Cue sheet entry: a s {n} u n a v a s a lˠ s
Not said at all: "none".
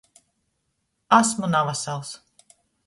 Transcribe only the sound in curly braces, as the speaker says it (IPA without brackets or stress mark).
m